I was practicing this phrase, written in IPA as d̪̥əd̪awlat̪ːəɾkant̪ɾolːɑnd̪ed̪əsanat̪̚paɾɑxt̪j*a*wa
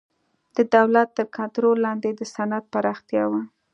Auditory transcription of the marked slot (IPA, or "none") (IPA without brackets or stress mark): ɑ